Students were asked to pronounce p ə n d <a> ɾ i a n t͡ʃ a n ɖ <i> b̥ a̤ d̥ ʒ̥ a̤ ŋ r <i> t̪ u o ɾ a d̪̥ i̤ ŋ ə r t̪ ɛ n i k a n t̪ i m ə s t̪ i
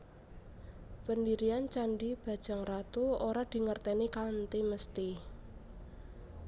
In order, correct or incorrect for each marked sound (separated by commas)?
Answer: incorrect, correct, incorrect